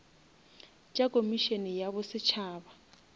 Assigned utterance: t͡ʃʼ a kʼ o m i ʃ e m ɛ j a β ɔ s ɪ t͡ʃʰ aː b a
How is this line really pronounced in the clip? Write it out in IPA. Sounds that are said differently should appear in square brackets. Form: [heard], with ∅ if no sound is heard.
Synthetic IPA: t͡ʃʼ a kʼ o m i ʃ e [n] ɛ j a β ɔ s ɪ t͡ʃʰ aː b a